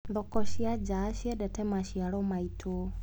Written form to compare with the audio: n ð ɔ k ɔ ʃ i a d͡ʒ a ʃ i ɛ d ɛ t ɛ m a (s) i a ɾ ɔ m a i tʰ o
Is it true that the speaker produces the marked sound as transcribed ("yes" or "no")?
no